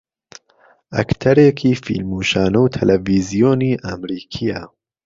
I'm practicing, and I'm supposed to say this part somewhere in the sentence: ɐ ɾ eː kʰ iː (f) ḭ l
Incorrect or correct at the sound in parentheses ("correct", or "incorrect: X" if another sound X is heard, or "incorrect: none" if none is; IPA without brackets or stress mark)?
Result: correct